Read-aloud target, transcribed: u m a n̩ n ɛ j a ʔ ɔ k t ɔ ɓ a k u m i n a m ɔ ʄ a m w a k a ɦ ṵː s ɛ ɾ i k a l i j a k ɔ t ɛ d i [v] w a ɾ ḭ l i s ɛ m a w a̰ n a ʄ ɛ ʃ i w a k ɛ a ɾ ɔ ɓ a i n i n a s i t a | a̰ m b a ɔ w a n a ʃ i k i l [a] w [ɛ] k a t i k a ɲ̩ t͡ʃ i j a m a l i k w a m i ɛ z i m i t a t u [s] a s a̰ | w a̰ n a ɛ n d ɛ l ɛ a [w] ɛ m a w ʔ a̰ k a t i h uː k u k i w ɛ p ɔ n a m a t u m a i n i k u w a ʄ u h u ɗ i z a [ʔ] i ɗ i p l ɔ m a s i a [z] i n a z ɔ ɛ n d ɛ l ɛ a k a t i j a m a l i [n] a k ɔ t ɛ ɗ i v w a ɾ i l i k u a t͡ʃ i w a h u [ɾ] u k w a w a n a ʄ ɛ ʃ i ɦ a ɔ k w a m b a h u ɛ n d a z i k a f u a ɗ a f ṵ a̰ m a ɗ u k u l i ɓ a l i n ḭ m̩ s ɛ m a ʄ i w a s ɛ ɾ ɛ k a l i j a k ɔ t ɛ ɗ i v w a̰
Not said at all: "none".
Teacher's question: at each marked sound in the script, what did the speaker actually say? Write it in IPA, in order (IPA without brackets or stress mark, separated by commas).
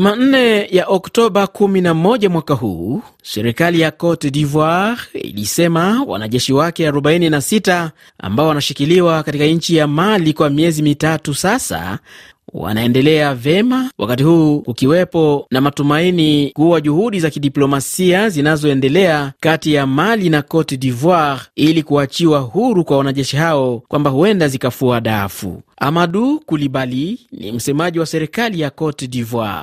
v, i, a, s, v, k, z, n, ɾ